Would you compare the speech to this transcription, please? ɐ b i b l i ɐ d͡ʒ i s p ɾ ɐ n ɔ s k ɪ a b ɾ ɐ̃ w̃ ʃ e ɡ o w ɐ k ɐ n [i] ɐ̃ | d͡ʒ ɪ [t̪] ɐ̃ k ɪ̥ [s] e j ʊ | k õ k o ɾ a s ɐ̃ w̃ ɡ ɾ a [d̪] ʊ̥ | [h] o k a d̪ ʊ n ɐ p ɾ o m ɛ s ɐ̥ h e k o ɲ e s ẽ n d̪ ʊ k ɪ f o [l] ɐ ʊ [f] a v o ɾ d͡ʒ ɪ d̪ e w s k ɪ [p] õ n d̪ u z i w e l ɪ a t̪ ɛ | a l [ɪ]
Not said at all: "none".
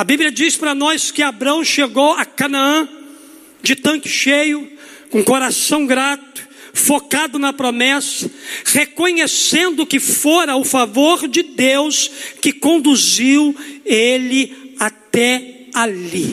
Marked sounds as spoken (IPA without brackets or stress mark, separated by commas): a, t̪, ʃ, t̪, f, ɾ, f, k, i